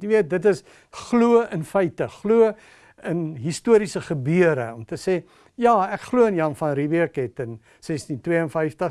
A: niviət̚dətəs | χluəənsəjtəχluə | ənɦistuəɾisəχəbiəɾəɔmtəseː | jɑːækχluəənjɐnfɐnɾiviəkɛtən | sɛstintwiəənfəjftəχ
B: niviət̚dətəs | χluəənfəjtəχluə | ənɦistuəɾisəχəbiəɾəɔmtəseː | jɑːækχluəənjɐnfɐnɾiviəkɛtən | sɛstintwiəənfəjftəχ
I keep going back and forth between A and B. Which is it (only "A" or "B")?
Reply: B